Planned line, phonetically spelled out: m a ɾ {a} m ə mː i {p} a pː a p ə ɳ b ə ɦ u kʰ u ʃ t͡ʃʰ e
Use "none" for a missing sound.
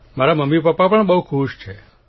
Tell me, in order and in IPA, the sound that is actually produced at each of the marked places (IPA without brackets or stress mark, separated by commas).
a, p